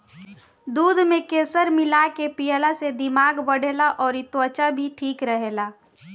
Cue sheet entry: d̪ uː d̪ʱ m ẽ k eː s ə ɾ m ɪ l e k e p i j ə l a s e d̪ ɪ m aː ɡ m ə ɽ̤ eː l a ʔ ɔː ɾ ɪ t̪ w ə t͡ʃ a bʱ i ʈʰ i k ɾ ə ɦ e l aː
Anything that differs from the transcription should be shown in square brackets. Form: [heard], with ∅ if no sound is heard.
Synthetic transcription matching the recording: d̪ uː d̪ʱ m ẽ k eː s ə ɾ m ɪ l [a] k e p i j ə l a s e d̪ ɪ m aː ɡ [b] ə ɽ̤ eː l a ʔ ɔː ɾ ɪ t̪ w ə t͡ʃ a bʱ i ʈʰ [iː] k ɾ ə ɦ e l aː

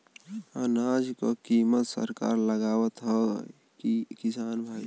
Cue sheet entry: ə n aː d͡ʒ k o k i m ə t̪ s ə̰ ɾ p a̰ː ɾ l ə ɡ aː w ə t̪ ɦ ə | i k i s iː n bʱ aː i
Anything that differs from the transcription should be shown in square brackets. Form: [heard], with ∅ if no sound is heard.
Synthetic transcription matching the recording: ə n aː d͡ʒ k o k i m ə t̪ s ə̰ ɾ [k] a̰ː ɾ l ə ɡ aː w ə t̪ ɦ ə | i k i s [aː] n bʱ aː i

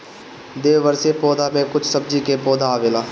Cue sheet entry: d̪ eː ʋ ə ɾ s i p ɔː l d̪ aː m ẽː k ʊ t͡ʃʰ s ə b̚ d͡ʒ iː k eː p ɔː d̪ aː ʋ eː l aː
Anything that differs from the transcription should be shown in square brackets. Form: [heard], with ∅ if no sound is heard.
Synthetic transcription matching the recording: d̪ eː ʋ ə ɾ s [e] p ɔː [∅] d̪ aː m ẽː k ʊ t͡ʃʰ s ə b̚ d͡ʒ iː k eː p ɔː d̪ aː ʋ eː l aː

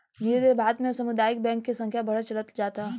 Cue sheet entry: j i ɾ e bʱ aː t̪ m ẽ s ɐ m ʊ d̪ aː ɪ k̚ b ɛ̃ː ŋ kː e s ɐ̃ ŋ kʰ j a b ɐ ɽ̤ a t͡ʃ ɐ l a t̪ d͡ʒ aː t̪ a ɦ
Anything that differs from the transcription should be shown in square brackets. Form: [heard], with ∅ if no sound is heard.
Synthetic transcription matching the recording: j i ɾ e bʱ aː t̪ m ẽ s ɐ m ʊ d̪ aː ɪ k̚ b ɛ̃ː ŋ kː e s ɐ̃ ŋ kʰ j a b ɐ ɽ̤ a t͡ʃ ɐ l [ə] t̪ d͡ʒ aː t̪ a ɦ

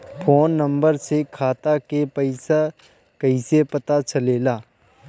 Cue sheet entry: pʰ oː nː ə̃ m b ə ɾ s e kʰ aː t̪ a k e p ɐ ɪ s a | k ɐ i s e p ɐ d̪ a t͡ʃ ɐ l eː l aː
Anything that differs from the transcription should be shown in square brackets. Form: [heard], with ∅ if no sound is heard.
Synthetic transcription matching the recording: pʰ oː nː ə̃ m b ə ɾ s e kʰ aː t̪ a k e p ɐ ɪ s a | k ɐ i s e p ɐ [t̪] a t͡ʃ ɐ l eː l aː

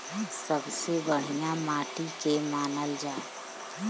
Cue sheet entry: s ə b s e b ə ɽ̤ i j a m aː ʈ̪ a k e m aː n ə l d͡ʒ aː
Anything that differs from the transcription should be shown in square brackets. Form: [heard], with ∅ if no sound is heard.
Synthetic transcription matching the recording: s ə b s e b ə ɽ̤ i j a m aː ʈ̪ [i] k e m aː n ə l d͡ʒ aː

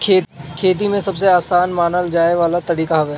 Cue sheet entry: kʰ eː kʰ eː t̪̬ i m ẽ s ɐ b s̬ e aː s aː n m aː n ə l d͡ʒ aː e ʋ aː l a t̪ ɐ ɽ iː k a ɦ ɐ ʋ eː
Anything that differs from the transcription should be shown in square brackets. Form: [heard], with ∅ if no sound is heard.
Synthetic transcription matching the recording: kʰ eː kʰ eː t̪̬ i m ẽ s ɐ b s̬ e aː s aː n m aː n ə l d͡ʒ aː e ʋ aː l a t̪ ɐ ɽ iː k a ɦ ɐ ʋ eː

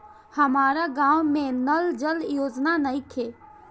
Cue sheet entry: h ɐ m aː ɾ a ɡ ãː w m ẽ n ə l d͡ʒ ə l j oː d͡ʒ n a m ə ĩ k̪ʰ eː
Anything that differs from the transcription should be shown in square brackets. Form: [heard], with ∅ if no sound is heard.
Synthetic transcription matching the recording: h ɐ m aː ɾ a ɡ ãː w m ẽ n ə l d͡ʒ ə l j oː d͡ʒ n a [n] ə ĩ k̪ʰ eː

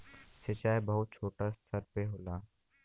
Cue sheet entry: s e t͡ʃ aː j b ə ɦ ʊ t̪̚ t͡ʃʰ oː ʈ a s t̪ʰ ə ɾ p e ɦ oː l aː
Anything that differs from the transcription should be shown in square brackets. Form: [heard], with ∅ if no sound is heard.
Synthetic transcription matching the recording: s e t͡ʃ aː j b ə ɦ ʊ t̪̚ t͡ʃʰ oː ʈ a s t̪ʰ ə ɾ p e ɦ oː l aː

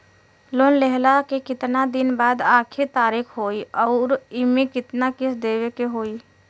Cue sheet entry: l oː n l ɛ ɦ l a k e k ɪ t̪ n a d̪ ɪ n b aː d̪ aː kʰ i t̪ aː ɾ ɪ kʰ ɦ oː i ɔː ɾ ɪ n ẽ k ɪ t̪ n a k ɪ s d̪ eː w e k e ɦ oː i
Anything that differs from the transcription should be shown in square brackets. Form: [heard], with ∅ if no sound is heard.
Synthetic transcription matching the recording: l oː n l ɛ ɦ l a k e k ɪ t̪ n a d̪ ɪ n b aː d̪ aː kʰ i t̪ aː ɾ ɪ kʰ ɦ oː i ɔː ɾ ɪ [m] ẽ k ɪ t̪ n a k ɪ s d̪ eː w e k e ɦ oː i

